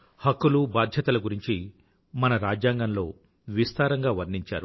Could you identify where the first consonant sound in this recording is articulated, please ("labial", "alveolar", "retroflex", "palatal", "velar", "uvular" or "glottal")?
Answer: glottal